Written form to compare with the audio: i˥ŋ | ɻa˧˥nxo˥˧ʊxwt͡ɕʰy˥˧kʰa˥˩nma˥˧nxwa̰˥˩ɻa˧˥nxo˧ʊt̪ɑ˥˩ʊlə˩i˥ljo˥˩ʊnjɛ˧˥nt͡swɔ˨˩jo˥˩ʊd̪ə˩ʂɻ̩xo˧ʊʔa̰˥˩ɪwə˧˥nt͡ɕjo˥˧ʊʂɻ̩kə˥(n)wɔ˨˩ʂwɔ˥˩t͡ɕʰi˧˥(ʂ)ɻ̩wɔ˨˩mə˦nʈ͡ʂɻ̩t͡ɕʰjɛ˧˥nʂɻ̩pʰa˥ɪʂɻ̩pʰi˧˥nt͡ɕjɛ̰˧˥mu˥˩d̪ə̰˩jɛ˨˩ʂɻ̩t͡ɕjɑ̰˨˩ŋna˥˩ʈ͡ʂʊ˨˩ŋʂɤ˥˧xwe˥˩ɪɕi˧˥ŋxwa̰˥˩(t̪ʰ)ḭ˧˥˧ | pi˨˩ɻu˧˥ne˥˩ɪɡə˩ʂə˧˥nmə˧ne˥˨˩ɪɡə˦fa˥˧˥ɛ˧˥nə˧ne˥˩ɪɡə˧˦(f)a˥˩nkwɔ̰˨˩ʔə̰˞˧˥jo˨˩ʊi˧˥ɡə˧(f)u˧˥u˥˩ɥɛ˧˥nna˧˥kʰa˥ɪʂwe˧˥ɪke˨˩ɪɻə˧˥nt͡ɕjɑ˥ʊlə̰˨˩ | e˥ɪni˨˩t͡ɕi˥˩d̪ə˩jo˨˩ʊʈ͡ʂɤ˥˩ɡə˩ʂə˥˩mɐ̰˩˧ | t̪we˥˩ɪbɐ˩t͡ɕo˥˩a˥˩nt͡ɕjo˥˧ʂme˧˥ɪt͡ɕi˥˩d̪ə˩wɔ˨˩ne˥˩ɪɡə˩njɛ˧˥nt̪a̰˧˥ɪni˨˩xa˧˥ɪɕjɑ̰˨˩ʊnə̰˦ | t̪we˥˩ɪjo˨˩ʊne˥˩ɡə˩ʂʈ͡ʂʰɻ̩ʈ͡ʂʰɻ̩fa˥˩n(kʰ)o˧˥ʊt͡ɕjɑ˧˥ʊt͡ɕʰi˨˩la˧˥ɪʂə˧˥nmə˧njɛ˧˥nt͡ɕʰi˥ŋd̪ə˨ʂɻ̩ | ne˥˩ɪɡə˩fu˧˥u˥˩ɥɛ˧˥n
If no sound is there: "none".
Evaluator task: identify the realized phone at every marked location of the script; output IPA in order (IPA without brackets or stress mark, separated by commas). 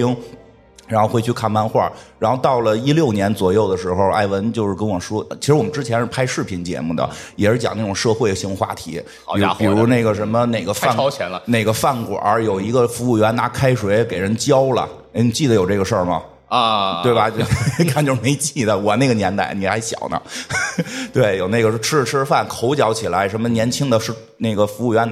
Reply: n, ʂ, t̪ʰ, f, f, kʰ